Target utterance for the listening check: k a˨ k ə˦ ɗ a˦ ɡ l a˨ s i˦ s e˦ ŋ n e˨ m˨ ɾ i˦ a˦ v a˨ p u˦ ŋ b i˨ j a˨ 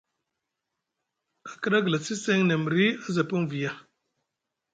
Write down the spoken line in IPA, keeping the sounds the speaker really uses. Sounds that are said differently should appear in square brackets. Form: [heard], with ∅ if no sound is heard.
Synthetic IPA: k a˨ k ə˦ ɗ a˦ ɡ l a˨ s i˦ s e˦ ŋ n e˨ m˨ ɾ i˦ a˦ [z] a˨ p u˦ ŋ [v] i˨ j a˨

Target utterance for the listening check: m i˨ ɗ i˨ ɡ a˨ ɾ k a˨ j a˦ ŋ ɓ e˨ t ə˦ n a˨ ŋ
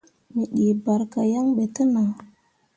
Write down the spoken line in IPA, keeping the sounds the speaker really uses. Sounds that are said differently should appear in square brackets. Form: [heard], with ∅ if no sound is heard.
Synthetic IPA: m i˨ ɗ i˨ [b] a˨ ɾ k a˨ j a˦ ŋ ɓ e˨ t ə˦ n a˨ ŋ

